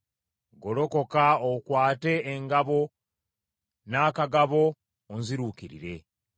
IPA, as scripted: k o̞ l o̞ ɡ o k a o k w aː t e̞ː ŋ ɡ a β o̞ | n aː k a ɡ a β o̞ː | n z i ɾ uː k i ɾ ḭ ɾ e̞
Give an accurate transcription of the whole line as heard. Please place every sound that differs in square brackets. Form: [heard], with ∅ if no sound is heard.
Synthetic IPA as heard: [ɡ] o̞ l o̞ [k] o k a o k w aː t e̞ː ŋ ɡ a β o̞ | n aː k a ɡ a β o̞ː | n z i ɾ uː k i ɾ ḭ ɾ e̞